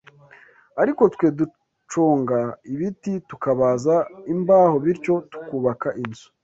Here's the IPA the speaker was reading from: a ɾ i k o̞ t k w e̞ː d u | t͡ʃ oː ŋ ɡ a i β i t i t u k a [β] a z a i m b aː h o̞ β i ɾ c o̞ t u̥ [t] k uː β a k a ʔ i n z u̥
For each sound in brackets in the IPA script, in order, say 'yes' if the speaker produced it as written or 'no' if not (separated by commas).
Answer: yes, no